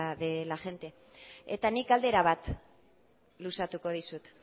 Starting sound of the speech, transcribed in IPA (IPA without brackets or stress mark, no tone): ð